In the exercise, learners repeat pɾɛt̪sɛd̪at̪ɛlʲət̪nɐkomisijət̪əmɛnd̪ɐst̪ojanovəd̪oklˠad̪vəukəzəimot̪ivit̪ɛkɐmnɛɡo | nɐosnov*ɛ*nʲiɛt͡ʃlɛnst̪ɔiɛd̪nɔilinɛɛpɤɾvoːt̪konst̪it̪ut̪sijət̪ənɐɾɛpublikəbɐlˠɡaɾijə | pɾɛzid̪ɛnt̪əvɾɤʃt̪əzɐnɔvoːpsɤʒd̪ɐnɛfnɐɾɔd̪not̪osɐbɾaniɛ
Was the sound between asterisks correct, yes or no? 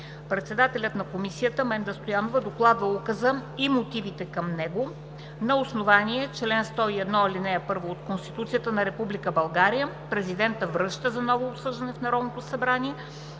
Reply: no